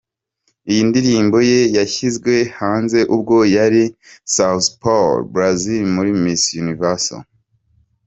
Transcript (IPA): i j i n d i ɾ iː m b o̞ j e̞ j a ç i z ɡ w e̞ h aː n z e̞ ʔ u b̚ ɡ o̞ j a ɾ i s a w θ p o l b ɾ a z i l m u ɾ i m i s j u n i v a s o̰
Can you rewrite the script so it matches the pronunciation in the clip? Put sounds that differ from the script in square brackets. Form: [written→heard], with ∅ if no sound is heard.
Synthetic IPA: i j i n d i ɾ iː m b o̞ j e̞ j a ç i z ɡ w e̞ h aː n z e̞ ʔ u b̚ ɡ o̞ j a ɾ i s a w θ p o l b ɾ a z i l m u ɾ i m i s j u n i v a s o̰